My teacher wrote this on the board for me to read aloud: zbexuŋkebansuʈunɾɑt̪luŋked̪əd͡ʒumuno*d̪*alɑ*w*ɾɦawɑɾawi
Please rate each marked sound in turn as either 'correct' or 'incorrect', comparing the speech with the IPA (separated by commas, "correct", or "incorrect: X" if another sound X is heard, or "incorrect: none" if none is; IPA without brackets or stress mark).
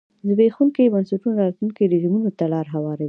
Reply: incorrect: t̪, incorrect: none